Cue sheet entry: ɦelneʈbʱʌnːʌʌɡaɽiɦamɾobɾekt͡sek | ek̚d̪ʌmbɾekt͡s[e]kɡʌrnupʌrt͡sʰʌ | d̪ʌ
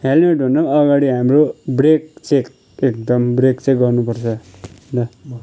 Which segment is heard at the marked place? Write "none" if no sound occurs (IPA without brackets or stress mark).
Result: e